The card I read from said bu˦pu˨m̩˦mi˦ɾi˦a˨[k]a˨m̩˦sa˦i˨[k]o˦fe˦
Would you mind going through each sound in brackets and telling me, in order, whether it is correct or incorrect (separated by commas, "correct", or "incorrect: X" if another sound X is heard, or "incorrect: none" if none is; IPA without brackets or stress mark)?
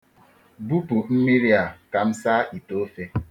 correct, incorrect: t